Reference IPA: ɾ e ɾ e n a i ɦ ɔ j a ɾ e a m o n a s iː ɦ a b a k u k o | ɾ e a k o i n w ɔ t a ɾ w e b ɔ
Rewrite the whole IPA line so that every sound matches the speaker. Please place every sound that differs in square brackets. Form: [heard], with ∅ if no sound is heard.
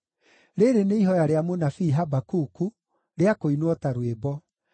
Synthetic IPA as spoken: ɾ e ɾ e n [e] i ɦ ɔ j a ɾ e a m o n a [f] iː ɦ a b a k u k [u] | ɾ e a k o i n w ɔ t a ɾ w e b ɔ